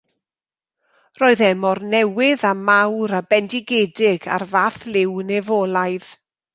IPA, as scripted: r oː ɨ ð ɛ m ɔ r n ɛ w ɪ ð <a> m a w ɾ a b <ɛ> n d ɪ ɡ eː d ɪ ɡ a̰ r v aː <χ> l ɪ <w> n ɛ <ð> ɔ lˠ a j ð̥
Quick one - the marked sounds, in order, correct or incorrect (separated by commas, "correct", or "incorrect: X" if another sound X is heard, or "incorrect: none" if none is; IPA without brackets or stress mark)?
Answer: correct, correct, incorrect: θ, correct, incorrect: v